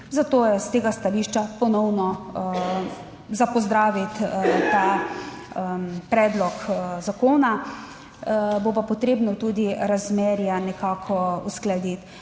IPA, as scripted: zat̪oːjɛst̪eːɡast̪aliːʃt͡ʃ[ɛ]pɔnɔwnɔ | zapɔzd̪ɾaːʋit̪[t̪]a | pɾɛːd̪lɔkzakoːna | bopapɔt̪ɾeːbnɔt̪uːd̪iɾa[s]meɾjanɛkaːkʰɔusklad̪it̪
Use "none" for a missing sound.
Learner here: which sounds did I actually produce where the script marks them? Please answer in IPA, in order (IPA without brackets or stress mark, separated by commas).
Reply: a, t̪, z